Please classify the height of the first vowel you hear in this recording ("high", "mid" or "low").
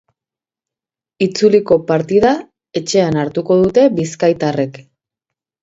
high